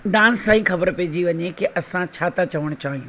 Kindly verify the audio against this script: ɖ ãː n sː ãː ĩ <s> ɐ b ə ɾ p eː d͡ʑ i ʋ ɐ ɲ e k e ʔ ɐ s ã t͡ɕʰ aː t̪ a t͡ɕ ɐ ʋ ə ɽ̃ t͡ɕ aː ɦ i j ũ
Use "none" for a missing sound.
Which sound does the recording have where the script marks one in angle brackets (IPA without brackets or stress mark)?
x